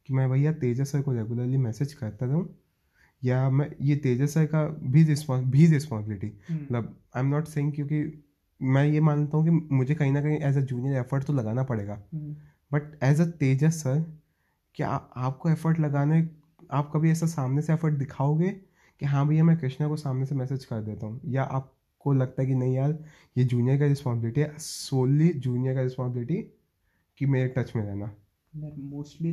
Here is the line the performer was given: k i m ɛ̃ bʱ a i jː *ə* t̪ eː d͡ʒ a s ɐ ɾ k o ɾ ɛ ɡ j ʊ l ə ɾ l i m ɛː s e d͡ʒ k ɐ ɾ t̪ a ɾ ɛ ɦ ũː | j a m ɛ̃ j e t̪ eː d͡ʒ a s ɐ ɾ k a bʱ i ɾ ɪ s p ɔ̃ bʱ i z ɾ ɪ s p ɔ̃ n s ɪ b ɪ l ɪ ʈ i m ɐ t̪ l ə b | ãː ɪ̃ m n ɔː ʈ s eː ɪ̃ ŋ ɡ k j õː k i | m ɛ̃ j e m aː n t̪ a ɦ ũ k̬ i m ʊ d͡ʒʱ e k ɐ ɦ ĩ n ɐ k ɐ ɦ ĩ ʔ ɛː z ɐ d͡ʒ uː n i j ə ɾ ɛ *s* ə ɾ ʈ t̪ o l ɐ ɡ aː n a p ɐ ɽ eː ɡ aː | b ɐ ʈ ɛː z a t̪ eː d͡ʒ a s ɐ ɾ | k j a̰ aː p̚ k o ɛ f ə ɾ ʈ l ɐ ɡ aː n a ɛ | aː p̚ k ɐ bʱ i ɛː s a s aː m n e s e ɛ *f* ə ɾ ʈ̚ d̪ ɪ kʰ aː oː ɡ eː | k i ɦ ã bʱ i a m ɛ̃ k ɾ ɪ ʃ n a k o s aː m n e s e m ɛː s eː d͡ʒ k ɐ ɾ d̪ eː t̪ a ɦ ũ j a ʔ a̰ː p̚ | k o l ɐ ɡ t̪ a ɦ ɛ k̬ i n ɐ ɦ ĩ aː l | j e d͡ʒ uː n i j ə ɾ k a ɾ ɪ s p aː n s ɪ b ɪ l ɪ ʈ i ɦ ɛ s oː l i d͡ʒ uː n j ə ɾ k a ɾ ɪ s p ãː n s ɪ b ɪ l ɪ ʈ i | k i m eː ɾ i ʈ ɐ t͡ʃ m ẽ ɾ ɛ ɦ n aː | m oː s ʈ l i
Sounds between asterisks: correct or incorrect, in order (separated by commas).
incorrect, incorrect, correct